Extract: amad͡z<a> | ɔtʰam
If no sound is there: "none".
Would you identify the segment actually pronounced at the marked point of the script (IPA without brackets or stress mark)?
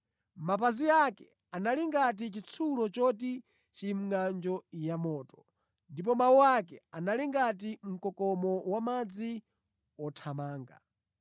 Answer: i